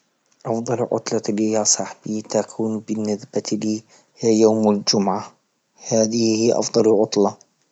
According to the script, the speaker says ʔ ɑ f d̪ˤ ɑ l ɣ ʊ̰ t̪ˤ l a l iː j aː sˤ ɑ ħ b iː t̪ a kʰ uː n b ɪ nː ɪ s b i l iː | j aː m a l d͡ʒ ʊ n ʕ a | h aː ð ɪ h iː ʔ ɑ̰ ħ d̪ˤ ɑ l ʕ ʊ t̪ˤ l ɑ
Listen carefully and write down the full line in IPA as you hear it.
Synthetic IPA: ʔ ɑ f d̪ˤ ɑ l ʕ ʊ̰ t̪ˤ l ɑ l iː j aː sˤ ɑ ħ b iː t̪ a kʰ uː n b ɪ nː ɪ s b a l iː | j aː m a l d͡ʒ ʊ m ʕ a | h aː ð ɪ h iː ʔ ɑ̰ f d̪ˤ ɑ l ʕ ʊ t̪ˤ l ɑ